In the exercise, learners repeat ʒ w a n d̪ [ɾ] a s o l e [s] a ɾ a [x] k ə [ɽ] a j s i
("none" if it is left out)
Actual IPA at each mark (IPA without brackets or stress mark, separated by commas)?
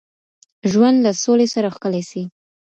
l, s, x, l